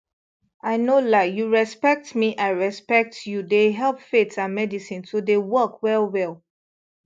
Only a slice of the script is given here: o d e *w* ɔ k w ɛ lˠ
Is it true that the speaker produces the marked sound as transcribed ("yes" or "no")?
yes